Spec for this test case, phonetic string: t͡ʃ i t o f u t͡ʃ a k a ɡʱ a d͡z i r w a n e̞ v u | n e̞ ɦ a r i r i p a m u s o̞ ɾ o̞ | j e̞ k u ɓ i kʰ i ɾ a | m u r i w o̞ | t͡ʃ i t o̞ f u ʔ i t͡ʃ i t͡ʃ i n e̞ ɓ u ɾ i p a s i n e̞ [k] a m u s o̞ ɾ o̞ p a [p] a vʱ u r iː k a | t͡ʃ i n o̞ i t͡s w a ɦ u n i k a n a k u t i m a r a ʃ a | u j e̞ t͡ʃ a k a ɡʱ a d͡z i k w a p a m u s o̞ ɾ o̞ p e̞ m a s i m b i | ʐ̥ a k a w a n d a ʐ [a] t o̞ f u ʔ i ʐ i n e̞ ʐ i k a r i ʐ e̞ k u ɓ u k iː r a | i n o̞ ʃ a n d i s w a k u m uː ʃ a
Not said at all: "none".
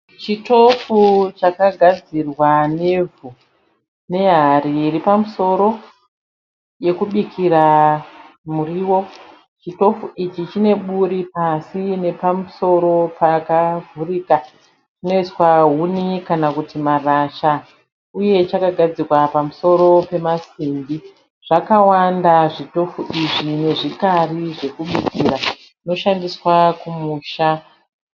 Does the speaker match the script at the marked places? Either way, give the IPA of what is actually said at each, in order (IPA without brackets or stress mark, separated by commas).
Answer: p, k, i